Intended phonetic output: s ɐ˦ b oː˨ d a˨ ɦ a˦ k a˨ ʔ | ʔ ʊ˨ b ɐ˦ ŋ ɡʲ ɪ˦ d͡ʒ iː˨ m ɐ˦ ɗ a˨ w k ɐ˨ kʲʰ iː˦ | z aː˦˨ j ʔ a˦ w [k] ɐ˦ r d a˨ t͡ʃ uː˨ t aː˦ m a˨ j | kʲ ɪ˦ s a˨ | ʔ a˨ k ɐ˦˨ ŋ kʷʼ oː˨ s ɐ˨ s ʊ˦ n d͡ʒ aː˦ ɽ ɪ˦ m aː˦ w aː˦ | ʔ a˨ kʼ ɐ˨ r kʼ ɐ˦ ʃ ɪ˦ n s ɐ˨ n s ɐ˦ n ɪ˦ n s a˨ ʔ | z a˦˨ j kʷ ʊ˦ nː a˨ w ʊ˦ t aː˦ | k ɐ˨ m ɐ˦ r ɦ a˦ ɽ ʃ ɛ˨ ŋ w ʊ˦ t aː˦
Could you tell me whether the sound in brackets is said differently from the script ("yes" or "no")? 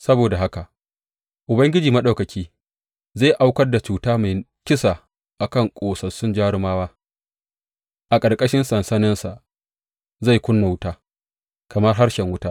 no